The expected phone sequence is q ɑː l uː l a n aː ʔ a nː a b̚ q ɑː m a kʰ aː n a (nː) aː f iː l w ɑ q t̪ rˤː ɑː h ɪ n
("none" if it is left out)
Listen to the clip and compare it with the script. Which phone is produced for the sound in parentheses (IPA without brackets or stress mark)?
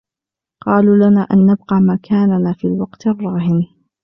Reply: n